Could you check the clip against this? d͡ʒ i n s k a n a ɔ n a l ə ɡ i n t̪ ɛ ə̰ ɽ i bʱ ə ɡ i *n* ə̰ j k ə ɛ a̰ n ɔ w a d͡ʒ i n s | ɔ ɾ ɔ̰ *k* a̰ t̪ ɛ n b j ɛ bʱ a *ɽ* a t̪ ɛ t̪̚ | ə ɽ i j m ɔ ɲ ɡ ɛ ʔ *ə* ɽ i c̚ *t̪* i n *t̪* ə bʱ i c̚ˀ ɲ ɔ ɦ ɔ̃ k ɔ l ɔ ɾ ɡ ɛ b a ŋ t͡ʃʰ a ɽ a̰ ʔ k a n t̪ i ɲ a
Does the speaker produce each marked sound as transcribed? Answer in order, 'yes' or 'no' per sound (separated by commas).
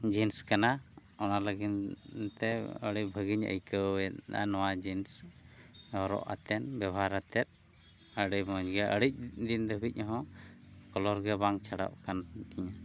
no, no, no, yes, no, no